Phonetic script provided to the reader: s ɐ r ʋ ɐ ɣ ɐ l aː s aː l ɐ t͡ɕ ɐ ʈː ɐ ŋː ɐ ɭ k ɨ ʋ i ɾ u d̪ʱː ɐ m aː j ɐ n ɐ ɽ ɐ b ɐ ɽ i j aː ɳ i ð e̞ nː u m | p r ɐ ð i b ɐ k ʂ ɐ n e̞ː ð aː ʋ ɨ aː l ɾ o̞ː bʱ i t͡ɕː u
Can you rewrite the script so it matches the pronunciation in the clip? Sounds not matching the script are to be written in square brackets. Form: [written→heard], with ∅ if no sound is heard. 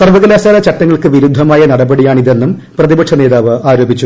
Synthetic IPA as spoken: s ɐ r ʋ ɐ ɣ ɐ l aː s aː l ɐ t͡ɕ ɐ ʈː ɐ ŋː ɐ ɭ k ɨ ʋ i ɾ u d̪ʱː ɐ m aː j ɐ n ɐ ɽ ɐ b ɐ ɽ i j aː ɳ i ð e̞ nː u m | p r ɐ ð i b ɐ k ʂ ɐ n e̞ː ð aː ʋ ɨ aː [l→∅] ɾ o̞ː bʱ i t͡ɕː u